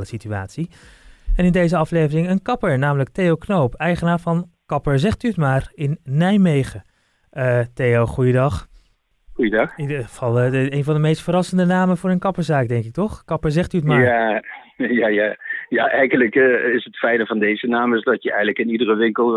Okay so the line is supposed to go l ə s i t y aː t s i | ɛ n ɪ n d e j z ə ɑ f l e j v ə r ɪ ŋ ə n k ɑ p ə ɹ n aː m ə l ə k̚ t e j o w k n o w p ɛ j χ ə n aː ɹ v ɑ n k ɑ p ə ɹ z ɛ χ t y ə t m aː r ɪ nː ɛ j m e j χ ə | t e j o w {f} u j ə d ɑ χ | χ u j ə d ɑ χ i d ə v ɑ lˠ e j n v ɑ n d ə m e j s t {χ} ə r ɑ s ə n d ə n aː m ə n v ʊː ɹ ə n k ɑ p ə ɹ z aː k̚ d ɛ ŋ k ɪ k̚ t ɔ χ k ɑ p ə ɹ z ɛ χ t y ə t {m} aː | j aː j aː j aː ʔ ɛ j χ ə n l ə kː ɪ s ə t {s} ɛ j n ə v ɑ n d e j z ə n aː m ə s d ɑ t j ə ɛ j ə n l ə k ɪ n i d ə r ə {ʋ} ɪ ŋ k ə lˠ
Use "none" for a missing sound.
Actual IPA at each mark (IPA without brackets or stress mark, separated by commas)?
χ, f, m, f, ʋ